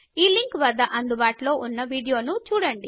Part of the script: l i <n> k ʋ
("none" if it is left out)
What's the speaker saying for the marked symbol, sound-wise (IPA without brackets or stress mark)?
ŋ